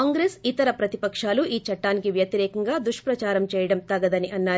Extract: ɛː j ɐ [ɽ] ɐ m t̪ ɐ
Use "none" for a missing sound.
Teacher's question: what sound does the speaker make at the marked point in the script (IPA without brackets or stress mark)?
ɽ